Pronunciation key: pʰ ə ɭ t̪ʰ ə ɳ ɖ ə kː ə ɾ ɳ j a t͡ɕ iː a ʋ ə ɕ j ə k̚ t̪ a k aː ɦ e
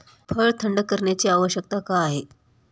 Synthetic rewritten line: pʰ ə ɭ t̪ʰ ə ɳ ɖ ə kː ə ɾ ɳ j a t͡ɕ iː a ʋ ə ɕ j ə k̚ t̪ a k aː ɦ e